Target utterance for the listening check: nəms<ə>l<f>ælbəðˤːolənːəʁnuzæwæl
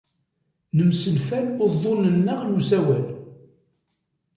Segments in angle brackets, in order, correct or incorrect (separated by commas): correct, correct